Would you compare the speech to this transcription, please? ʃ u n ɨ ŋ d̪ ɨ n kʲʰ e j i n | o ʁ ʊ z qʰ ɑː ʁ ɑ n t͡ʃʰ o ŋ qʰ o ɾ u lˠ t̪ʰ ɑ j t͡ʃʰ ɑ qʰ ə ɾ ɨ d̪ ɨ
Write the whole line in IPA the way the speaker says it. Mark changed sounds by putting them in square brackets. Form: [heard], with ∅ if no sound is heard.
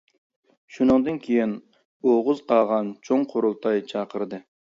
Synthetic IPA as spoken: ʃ u n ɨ ŋ d̪ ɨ n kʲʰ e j i n | o ʁ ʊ z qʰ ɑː ʁ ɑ n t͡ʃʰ o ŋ qʰ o ɾ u lˠ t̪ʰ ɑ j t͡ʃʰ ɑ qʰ ə ɾ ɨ d̪ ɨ